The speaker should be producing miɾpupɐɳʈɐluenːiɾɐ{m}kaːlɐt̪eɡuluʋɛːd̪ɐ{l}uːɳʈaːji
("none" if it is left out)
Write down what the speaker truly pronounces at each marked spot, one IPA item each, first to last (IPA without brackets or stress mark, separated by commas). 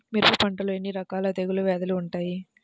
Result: none, l